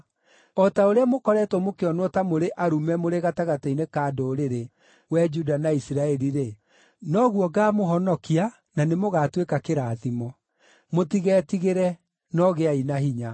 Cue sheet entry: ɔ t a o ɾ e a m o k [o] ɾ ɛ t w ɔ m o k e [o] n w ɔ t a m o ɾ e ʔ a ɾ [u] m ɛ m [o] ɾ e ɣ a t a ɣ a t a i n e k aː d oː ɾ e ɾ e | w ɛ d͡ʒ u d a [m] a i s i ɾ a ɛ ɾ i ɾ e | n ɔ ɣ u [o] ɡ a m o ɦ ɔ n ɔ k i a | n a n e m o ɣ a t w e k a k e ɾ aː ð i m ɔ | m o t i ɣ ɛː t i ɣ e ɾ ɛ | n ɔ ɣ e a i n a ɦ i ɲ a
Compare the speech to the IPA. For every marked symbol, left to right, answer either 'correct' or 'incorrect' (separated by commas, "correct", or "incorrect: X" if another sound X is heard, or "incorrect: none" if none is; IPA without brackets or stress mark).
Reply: incorrect: ɔ, incorrect: ɔ, correct, correct, incorrect: n, incorrect: ɔ